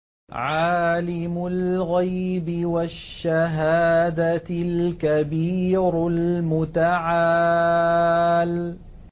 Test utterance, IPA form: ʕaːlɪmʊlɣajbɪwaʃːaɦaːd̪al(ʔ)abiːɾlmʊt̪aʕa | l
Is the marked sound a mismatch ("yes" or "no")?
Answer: yes